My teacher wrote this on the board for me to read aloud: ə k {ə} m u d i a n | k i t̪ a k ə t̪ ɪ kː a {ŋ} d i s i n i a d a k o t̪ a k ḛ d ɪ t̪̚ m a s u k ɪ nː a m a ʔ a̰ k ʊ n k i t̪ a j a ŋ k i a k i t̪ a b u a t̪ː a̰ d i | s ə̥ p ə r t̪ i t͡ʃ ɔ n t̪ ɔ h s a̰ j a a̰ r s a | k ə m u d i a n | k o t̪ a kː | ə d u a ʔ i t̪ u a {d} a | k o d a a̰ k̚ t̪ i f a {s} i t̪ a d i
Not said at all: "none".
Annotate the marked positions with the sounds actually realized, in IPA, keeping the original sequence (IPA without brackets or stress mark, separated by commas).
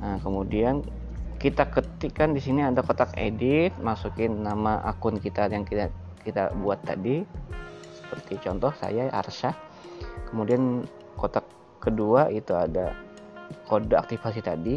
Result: ə, n, d, s